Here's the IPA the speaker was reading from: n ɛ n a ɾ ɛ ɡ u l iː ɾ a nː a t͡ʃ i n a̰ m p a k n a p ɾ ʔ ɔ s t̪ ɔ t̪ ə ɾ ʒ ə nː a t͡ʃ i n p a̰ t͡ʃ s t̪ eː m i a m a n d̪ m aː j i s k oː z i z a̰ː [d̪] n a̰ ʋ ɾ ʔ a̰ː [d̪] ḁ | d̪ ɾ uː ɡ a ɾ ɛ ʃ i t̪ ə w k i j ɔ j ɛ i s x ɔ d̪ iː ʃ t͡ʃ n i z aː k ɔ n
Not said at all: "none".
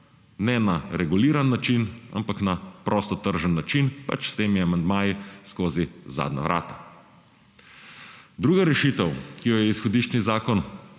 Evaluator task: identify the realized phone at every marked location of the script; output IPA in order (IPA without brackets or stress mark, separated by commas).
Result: d̪, t̪